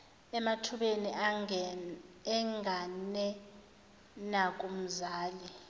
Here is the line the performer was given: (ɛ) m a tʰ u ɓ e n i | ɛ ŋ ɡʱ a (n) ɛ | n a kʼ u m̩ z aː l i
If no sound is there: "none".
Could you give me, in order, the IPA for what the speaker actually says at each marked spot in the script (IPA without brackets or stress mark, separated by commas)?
ɛ, n